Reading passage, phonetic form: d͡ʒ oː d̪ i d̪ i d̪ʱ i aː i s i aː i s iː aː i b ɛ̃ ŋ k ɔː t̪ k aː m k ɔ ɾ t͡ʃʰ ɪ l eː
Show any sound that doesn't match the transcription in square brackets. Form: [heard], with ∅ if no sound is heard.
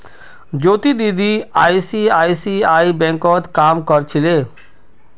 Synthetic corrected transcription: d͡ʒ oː [t̪] i d̪ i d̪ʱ i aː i s i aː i s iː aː i b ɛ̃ ŋ k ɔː t̪ k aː m k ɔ ɾ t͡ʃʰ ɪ l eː

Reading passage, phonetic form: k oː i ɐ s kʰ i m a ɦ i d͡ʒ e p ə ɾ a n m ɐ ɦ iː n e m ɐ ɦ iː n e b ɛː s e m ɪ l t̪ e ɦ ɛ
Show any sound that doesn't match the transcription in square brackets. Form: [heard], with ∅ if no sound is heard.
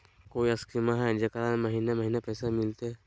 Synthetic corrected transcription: k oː i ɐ s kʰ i m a ɦ [ɛ] d͡ʒ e [k] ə ɾ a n m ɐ ɦ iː n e m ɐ ɦ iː n e [p] ɛː s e m ɪ l t̪ e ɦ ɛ

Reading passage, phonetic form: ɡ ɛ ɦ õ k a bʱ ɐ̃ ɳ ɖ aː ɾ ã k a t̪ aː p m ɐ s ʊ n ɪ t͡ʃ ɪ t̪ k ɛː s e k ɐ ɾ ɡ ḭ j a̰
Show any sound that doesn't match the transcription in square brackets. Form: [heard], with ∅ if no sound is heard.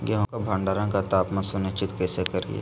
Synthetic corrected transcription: ɡ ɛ ɦ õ k a bʱ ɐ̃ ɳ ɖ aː ɾ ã k a t̪ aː p m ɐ s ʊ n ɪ t͡ʃ ɪ t̪ k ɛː s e k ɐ ɾ ɡ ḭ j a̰

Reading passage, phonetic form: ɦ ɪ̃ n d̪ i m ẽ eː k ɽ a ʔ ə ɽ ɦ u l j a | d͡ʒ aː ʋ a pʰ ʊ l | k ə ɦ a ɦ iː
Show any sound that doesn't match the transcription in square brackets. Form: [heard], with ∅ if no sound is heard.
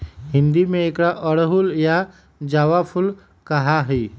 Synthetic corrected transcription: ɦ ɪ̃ n d̪ i m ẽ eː k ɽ a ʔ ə ɽ ɦ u l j a | d͡ʒ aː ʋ a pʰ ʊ l | k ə ɦ a ɦ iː

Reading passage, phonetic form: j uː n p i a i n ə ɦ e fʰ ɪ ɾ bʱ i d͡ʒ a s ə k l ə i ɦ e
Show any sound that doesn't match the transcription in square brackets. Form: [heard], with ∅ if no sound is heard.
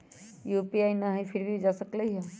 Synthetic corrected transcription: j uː [∅] p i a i n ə ɦ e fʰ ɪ ɾ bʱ i d͡ʒ a s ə k l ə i ɦ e

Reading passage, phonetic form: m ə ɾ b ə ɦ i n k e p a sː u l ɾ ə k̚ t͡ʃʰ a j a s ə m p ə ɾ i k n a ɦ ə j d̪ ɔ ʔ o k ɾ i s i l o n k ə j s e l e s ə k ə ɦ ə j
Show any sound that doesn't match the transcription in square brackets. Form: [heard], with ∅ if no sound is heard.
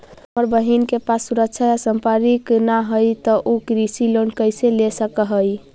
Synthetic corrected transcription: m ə ɾ b ə ɦ i n k e p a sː u [∅] ɾ ə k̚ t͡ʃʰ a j a s ə m p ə ɾ i k n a ɦ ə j [t̪] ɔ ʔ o k ɾ i s i l o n k ə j s e l e s ə k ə ɦ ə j

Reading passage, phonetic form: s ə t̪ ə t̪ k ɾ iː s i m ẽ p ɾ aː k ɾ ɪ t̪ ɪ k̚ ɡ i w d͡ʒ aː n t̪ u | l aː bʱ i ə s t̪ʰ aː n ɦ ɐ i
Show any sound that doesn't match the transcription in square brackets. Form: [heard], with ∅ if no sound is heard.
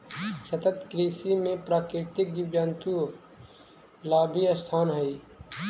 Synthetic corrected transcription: s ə t̪ ə t̪ k ɾ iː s i m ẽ p ɾ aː k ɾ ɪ t̪ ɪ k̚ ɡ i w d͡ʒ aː n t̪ u | l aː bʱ i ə s t̪ʰ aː n ɦ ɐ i

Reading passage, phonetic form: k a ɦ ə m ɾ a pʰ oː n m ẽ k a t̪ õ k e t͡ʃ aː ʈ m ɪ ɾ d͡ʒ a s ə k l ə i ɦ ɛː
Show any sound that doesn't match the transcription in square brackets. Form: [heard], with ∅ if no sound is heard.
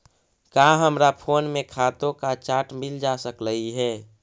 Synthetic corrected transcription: k a ɦ ə m ɾ a pʰ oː n m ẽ [kʰ] a t̪ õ k [a] t͡ʃ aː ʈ m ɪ [l] d͡ʒ a s ə k l ə i ɦ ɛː

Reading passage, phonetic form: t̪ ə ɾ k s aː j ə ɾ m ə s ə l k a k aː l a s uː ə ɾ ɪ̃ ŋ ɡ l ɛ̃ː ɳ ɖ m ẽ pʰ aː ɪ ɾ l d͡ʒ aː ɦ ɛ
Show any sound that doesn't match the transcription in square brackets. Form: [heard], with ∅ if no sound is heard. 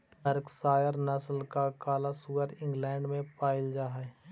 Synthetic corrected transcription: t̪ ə ɾ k s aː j ə ɾ [n] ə s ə l k a k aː l a s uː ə ɾ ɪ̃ ŋ ɡ l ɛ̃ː ɳ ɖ m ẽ [p] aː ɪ [∅] l d͡ʒ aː ɦ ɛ

